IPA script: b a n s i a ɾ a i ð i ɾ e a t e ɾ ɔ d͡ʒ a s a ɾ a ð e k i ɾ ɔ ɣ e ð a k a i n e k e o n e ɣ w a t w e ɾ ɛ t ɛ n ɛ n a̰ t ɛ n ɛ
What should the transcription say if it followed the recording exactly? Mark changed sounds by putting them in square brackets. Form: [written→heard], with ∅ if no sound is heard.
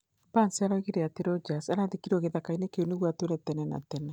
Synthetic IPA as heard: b a n s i a ɾ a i [ð→ɣ] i ɾ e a t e ɾ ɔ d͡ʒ a s a ɾ a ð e k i ɾ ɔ ɣ e ð a k a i n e k e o n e ɣ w a t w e ɾ ɛ t ɛ n ɛ n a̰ t ɛ n ɛ